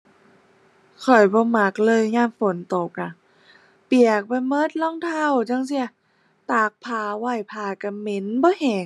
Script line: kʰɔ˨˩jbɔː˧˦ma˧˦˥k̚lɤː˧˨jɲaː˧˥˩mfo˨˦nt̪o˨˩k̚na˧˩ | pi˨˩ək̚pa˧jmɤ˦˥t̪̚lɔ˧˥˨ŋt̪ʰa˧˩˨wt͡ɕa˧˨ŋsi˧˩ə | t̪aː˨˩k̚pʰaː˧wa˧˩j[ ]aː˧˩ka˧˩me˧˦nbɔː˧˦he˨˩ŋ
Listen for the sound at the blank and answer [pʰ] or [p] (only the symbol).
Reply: pʰ